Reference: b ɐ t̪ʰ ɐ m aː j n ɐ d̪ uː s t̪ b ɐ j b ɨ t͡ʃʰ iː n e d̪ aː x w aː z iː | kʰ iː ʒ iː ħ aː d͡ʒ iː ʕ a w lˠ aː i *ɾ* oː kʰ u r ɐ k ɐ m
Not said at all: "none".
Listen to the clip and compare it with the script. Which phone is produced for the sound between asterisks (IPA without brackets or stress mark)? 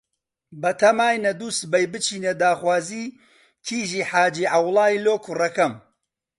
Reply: l